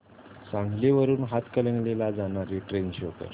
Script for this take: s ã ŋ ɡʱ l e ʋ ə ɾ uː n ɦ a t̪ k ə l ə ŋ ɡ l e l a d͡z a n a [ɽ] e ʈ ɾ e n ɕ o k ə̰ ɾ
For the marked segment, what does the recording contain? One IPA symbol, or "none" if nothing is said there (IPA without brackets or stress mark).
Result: ɾ